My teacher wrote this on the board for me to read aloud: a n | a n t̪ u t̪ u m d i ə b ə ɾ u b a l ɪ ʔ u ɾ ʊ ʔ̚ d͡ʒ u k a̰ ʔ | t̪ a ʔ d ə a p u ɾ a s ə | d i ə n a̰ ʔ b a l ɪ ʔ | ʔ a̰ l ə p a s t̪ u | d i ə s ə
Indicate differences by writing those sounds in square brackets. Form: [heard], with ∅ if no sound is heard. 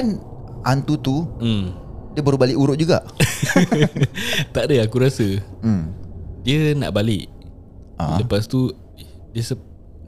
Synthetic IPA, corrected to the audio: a n | a n t̪ u t̪ u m d i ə b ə ɾ u b a l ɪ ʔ u ɾ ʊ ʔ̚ d͡ʒ u [ɡ] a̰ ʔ | t̪ a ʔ d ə a [k] u ɾ a s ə | d i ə n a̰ ʔ b a l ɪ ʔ | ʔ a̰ l ə p a s t̪ u | d i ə s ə